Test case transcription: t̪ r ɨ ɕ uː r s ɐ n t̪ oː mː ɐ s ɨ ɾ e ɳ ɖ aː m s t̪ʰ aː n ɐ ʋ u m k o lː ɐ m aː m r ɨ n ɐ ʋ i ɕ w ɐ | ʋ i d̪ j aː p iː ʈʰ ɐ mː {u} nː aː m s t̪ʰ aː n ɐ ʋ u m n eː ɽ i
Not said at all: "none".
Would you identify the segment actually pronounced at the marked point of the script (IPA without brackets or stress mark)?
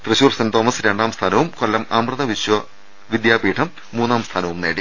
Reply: uː